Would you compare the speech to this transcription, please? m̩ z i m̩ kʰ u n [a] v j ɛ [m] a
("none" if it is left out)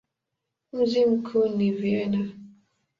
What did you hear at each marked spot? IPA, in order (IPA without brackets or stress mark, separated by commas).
i, n